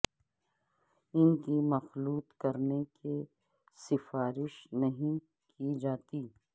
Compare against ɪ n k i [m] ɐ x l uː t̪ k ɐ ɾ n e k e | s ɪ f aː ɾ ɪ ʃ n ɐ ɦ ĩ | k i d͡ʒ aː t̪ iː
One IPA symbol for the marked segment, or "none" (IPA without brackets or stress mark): m